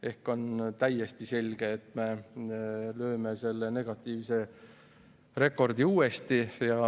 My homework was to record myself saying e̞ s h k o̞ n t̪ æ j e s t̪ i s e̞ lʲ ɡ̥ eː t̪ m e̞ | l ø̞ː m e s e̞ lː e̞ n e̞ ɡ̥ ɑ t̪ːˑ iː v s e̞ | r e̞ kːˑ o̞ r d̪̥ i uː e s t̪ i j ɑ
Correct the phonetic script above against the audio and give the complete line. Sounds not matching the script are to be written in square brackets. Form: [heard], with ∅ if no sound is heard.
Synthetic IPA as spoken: e̞ [∅] h k o̞ n t̪ æ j e s t̪ i s e̞ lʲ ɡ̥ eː t̪ m e̞ | l ø̞ː m e s e̞ lː e̞ n e̞ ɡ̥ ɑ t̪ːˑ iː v s e̞ | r e̞ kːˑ o̞ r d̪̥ i uː e s t̪ i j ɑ

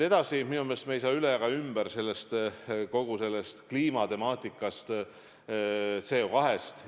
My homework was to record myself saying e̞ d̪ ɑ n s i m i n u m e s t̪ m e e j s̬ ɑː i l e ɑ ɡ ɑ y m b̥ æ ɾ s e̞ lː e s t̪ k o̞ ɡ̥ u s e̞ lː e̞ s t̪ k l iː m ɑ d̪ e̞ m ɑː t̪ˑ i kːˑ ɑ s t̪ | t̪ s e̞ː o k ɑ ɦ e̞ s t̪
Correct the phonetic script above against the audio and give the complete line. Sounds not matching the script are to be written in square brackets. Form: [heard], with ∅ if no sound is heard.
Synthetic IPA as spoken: e̞ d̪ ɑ [∅] s i m i n u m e s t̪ m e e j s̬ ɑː [y] l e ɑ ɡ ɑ y m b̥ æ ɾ s e̞ lː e s t̪ k o̞ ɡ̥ u s e̞ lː e̞ s t̪ k l iː m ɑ [t̪] e̞ m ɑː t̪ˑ i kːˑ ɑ s t̪ | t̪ s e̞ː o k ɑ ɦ e̞ s t̪

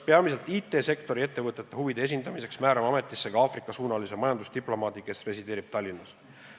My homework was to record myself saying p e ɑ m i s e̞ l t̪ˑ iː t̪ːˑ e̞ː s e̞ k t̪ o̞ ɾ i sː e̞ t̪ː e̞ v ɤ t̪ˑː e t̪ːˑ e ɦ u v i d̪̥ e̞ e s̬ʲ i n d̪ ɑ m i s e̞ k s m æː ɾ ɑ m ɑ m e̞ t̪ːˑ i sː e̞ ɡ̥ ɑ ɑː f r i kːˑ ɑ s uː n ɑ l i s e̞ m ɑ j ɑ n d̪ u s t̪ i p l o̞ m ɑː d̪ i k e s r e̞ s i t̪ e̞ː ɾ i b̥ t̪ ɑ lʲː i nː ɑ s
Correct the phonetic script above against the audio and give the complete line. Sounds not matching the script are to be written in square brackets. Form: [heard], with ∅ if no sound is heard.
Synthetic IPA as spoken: p e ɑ m i s e̞ l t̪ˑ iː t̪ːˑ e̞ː s e̞ k t̪ o̞ ɾ i [∅] e̞ t̪ː e̞ v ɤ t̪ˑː e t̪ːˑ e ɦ u v i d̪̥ e̞ e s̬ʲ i n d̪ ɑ m i s e̞ k s m æː ɾ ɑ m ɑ m e̞ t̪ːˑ i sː e̞ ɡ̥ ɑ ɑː f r i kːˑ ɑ s uː n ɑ l i s e̞ m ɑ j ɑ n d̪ u s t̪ i p l o̞ m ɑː d̪ i k e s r e̞ s i [d̪] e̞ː ɾ i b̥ t̪ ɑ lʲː i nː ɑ s

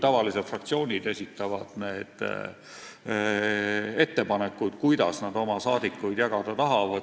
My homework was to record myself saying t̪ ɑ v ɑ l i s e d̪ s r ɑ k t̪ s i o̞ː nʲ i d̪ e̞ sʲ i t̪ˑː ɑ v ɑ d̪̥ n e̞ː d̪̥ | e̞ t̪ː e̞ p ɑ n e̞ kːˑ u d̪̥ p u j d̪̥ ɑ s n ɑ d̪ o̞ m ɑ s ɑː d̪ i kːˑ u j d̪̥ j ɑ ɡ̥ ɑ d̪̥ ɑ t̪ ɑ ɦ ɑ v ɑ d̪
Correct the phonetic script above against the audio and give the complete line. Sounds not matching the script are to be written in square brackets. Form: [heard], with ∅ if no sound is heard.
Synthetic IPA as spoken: t̪ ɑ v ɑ l i s e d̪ [f] r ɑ k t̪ s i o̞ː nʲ i d̪ e̞ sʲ i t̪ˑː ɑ v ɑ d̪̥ n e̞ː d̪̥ | e̞ t̪ː e̞ p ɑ n e̞ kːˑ u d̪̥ [k] u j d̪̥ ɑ s n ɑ d̪ o̞ m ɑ s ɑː d̪ i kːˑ u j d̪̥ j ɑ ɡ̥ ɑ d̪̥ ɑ t̪ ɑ ɦ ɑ v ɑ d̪

